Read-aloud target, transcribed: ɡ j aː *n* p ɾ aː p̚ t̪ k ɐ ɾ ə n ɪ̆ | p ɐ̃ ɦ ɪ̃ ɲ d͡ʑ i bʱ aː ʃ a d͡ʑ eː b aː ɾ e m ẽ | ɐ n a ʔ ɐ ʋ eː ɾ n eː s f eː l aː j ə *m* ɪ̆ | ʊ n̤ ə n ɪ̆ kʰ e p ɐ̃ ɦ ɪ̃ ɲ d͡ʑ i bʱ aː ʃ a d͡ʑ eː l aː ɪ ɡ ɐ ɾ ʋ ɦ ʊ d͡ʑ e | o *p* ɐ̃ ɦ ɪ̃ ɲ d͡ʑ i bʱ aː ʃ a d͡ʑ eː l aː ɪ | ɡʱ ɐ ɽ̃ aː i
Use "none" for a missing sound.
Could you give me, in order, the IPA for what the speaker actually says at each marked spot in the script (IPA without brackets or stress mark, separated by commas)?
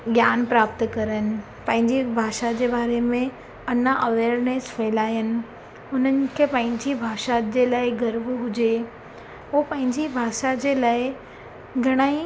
n, n, p